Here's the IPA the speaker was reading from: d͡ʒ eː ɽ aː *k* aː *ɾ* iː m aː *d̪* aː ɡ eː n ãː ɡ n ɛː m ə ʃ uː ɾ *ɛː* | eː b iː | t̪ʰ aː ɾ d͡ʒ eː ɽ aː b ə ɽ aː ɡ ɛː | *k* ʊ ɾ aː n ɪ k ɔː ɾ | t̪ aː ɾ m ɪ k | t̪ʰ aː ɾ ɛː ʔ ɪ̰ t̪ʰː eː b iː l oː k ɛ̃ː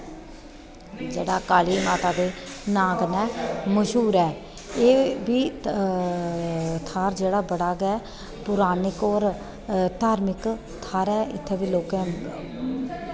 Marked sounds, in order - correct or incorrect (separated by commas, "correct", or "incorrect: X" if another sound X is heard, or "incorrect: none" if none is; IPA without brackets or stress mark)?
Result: correct, incorrect: l, incorrect: t̪, correct, incorrect: p